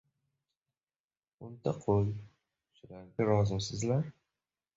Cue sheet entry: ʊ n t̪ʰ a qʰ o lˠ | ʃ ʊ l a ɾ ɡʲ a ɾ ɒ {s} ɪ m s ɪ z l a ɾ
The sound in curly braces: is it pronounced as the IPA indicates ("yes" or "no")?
no